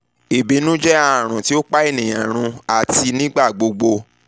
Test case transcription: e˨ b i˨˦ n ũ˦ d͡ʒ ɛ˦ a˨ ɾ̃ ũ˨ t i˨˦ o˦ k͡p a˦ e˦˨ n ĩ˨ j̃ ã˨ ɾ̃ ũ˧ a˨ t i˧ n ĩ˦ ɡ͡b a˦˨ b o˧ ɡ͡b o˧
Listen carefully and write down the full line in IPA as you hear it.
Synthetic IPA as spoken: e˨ b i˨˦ n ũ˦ d͡ʒ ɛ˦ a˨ ɾ̃ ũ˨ t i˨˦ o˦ k͡p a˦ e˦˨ n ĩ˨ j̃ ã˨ ɾ̃ ũ˧ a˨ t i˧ n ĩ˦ ɡ͡b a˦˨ ɡ͡b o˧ ɡ͡b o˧